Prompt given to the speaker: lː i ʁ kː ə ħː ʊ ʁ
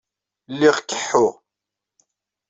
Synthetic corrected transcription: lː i ʁ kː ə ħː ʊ ʁ